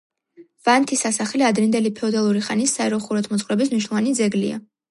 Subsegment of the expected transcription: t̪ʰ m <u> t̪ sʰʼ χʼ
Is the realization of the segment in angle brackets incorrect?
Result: yes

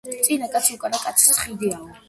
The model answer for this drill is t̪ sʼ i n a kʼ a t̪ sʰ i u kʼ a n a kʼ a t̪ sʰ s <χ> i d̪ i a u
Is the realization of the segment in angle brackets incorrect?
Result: no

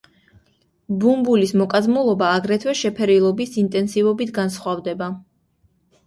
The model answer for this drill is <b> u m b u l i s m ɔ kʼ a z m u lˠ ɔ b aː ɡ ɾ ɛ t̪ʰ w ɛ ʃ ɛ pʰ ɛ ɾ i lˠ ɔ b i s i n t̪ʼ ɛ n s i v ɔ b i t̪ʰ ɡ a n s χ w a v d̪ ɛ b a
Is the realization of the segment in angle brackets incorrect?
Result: no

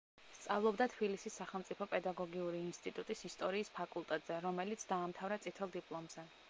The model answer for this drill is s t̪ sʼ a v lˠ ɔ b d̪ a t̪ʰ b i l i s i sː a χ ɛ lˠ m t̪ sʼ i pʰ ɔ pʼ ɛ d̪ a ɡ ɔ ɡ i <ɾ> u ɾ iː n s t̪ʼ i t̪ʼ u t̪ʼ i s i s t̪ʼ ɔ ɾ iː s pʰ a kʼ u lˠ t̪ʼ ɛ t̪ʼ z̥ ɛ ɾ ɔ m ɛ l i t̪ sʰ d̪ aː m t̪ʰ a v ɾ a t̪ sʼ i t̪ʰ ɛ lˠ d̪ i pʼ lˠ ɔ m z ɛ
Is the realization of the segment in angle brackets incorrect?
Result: yes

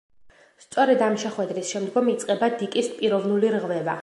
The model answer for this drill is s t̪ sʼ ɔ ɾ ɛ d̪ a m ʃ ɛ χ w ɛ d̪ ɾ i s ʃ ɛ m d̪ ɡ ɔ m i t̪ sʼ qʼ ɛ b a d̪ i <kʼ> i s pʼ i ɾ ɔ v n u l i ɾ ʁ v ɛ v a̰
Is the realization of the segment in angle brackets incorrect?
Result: no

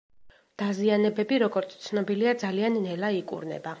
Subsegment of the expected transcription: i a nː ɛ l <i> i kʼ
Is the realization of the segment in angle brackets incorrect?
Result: yes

